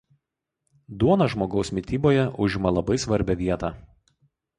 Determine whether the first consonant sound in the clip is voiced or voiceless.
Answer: voiced